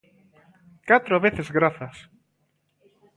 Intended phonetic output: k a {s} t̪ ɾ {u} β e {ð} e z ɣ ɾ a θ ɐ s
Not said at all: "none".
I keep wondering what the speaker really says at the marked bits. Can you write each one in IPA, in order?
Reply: none, o, θ

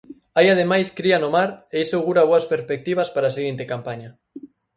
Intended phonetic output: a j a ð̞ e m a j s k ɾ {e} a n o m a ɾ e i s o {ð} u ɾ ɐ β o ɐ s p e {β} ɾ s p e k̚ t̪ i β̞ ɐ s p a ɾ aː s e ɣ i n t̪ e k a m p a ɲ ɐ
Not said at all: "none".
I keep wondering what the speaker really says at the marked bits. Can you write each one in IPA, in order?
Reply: i, ɣ, none

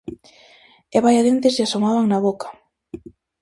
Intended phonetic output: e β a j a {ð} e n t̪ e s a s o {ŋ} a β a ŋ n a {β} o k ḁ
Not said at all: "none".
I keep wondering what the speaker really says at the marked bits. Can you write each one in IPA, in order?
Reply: ð, m, β

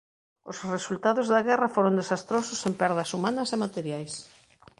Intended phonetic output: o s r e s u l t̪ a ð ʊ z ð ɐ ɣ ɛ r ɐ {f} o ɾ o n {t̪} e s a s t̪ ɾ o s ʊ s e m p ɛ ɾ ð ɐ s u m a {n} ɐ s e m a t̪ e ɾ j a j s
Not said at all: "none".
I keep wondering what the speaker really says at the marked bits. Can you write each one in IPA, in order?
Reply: f, d̪, n

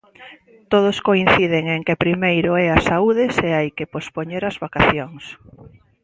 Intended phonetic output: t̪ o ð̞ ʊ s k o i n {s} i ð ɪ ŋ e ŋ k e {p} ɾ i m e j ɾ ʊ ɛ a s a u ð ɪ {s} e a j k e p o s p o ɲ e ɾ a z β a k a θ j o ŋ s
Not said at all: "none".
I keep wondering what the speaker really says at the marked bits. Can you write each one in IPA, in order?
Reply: θ, p, s

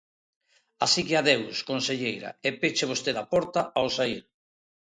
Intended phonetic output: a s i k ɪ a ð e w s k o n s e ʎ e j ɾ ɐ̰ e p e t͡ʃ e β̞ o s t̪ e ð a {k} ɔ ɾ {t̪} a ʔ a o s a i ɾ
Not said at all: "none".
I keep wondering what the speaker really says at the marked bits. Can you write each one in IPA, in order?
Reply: p, t̪

